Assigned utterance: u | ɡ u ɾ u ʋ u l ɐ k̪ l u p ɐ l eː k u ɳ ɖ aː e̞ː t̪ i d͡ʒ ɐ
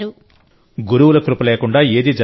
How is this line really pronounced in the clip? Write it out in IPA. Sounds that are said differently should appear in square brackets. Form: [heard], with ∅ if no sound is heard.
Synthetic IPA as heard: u | ɡ u ɾ u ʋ u l ɐ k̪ [ɾ] u p ɐ l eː k u ɳ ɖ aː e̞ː [d̪] i d͡ʒ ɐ